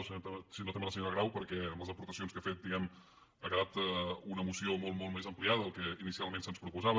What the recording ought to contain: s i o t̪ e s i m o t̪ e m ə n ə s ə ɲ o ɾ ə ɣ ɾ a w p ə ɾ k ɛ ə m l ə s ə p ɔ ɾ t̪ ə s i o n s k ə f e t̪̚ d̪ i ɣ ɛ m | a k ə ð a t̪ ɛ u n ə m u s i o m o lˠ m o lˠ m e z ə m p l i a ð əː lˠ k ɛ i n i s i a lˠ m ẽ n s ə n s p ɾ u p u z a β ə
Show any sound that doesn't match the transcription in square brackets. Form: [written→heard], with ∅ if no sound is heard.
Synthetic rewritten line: s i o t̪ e s i [m→n] o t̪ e m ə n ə s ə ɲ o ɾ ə ɣ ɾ a w p ə ɾ k ɛ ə m l ə [s→z] ə p [ɔ→u] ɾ t̪ ə s i o n s k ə f e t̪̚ d̪ i ɣ ɛ m | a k ə ð a t̪ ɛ u n ə m u s i o m o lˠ m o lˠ m e z ə m p l i a ð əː lˠ k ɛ i n i s i a lˠ m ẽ n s ə n s p ɾ u p u z a β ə